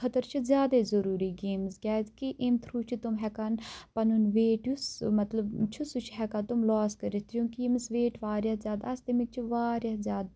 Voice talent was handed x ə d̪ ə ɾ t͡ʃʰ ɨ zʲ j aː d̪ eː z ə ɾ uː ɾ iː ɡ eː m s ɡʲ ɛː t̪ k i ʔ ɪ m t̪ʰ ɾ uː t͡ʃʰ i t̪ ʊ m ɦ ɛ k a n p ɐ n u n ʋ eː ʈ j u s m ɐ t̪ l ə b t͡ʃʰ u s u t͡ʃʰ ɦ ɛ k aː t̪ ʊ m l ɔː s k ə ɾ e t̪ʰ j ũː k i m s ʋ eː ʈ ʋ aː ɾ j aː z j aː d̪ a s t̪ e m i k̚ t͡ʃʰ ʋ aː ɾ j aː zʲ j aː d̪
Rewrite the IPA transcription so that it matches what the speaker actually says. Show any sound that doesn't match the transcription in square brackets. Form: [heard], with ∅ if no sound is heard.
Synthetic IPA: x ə [t̪] ə ɾ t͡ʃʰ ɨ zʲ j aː d̪ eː z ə ɾ uː ɾ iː ɡ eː m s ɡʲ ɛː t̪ k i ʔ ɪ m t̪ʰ ɾ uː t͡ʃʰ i t̪ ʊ m ɦ ɛ k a n p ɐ n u n ʋ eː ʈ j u s m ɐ t̪ l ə b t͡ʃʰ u s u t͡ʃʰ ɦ ɛ k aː t̪ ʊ m l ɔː s k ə ɾ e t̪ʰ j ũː k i m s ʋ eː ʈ ʋ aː ɾ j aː z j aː d̪ a s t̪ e m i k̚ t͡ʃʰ ʋ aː ɾ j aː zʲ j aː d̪